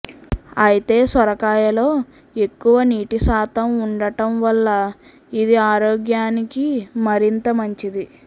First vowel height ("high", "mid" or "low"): low